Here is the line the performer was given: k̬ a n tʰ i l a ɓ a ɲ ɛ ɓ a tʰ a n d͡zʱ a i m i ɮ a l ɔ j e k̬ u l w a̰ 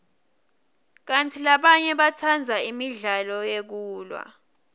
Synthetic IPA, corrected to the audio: k̬ a n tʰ i l a ɓ a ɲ ɛ ɓ a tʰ a n d͡zʱ a i m i ɮ a l ɔ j e k̬ uː l w a̰